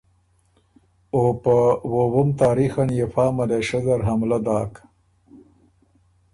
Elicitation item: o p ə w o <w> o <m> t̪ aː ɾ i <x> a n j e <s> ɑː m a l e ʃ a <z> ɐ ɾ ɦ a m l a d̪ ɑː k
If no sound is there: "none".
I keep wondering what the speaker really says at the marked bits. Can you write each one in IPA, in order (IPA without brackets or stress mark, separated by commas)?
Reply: w, m, x, f, z